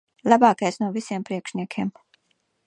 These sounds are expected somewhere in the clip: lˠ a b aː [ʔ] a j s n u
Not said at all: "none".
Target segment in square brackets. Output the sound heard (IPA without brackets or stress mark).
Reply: k